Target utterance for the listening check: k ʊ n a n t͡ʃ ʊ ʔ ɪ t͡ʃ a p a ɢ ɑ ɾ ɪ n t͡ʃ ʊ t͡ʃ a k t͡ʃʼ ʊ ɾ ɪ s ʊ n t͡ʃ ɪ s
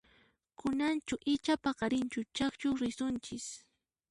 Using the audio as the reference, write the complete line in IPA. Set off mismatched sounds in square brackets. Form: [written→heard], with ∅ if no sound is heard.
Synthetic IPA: k ʊ n a n t͡ʃ ʊ ʔ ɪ t͡ʃ a p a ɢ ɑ ɾ ɪ n t͡ʃ ʊ t͡ʃ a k [t͡ʃʼ→t͡ʃ] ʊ ɾ ɪ s ʊ n t͡ʃ ɪ s